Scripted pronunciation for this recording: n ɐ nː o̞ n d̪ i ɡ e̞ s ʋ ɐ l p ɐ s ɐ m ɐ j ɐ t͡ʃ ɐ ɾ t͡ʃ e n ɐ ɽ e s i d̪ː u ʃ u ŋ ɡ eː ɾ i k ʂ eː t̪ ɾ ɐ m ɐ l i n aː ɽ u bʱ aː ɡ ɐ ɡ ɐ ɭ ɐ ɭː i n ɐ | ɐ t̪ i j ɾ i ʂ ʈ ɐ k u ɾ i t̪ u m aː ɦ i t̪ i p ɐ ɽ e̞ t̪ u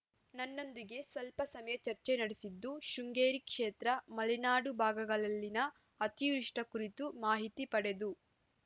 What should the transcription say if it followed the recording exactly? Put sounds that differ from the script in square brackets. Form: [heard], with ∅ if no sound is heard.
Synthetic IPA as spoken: n ɐ nː o̞ n d̪ i ɡ e̞ s ʋ ɐ l p ɐ s ɐ m ɐ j ɐ t͡ʃ ɐ ɾ t͡ʃ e n ɐ ɽ e s i d̪ː u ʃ u ŋ ɡ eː ɾ i k ʂ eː t̪ ɾ ɐ m ɐ l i n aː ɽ u bʱ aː ɡ ɐ ɡ ɐ ɭ ɐ [lː] i n ɐ | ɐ t̪ i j ɾ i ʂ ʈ ɐ k u ɾ i t̪ u m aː ɦ i t̪ i p ɐ ɽ e̞ [d̪] u